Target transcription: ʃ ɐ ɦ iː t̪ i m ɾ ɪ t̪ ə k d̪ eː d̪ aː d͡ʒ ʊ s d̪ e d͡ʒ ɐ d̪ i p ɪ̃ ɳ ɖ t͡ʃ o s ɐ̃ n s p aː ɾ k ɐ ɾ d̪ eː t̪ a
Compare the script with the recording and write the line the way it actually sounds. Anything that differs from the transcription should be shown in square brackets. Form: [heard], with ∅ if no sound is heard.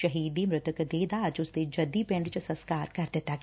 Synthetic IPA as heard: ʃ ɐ ɦ iː [d̪] i m ɾ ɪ t̪ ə k d̪ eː d̪ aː d͡ʒ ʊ s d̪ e d͡ʒ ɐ d̪ i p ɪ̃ ɳ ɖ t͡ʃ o s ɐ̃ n s [k] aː ɾ k ɐ ɾ d̪ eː t̪ a